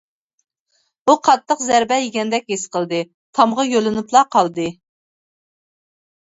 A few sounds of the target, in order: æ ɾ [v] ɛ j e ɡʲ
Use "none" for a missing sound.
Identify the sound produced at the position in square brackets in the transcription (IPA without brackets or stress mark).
b